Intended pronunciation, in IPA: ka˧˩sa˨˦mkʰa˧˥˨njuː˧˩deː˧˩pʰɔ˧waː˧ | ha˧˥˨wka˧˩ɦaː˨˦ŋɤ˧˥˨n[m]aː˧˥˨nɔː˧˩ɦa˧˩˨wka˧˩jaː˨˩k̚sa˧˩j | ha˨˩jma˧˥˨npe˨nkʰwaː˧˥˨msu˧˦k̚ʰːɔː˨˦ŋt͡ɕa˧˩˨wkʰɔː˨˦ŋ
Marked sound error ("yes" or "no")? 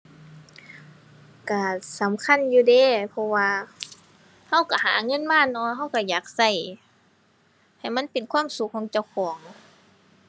no